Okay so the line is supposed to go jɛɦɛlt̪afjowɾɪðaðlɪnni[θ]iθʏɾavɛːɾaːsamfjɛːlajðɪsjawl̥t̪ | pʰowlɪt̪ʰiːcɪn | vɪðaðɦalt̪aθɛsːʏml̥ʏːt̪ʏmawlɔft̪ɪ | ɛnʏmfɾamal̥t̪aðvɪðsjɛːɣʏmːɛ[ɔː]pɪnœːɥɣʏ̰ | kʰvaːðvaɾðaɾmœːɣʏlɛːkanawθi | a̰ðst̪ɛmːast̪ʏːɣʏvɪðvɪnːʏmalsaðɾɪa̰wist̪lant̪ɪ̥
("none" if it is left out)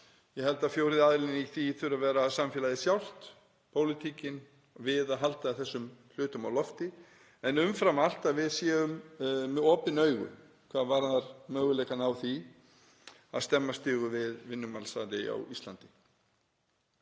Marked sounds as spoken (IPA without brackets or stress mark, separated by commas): θ, ɔː